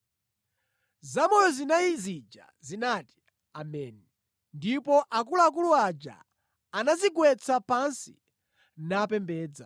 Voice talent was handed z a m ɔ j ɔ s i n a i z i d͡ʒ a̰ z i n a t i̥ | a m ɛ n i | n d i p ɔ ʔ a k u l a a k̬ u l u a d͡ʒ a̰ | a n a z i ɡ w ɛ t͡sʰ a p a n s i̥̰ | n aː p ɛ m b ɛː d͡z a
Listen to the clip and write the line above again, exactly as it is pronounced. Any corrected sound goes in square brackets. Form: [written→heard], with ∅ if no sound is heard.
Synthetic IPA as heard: z a m ɔ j ɔ [s→z] i n a i z i d͡ʒ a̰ z i n a t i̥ | a m ɛ n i | n d i p ɔ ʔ a k u l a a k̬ u l u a d͡ʒ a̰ | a n a z i ɡ w ɛ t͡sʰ a p a n s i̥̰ | n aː p ɛ m b ɛː d͡z a